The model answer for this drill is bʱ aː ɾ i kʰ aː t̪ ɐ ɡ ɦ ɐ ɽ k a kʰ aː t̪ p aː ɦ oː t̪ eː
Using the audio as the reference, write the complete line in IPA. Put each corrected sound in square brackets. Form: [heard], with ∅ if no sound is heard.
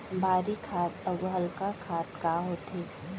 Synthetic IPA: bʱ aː ɾ i kʰ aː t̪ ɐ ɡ ɦ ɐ [l] k a kʰ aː t̪ [k] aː ɦ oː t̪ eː